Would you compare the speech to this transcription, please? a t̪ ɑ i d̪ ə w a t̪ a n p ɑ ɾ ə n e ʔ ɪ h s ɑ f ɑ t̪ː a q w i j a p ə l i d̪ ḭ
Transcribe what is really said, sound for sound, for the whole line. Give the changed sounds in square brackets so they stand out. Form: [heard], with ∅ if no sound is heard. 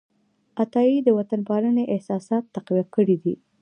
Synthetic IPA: a t̪ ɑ i d̪ ə w a t̪ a n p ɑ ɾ ə n e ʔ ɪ h s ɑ [s] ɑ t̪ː a q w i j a [k] ə [ɽ] i d̪ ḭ